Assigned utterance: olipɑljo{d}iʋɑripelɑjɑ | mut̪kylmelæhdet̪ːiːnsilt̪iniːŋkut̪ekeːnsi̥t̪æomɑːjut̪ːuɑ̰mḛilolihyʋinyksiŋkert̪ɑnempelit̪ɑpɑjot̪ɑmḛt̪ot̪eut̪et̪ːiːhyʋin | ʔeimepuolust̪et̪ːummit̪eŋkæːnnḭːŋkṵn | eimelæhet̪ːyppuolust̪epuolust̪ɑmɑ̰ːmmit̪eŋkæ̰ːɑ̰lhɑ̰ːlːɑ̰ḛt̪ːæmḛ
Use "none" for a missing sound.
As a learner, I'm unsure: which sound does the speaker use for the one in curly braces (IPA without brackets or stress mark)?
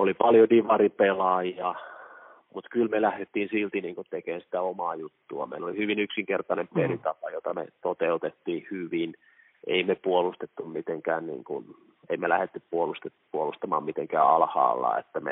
d